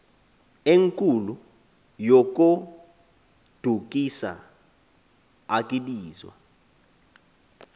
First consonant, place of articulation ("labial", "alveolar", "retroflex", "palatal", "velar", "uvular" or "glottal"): velar